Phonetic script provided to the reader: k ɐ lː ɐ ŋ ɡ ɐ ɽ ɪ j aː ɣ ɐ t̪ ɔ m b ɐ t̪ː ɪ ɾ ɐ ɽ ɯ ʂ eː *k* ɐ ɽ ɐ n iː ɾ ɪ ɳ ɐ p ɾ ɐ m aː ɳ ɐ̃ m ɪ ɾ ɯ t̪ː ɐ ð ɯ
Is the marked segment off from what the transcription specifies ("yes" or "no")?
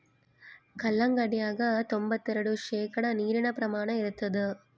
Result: no